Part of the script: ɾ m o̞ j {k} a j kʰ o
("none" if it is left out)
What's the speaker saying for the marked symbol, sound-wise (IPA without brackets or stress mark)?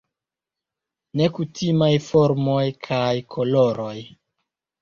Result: kʰ